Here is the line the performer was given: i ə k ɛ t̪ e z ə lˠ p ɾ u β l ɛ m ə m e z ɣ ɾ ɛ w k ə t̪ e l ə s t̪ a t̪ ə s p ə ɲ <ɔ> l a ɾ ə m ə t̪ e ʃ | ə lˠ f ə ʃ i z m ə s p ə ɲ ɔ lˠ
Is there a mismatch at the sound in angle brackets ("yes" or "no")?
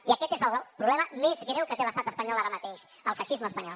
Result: no